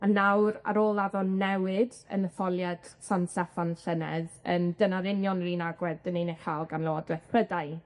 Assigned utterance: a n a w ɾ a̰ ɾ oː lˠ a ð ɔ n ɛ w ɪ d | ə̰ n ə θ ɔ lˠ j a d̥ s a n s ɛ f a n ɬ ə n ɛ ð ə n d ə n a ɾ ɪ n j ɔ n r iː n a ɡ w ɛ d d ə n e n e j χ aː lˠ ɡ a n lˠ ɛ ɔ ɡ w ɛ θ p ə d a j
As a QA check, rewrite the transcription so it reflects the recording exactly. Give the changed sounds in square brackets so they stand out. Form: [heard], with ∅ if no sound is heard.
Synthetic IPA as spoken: a n a w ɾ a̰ ɾ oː lˠ a ð ɔ n ɛ w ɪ d | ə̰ n ə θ ɔ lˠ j a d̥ s a n s ɛ f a n ɬ ə n ɛ ð ə n d ə n a ɾ ɪ n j ɔ n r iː n a ɡ w ɛ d d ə n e n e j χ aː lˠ ɡ a n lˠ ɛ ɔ [d] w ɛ θ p ə d a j